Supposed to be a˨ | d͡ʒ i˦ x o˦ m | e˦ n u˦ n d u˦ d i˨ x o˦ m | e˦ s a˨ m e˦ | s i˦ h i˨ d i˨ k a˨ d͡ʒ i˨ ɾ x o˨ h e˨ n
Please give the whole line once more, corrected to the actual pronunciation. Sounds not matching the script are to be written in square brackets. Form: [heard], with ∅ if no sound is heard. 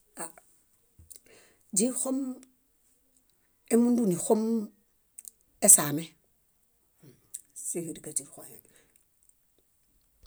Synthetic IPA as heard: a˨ | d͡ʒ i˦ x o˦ m | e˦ [m] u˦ n d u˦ [n] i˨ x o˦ m | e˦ s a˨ m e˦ | s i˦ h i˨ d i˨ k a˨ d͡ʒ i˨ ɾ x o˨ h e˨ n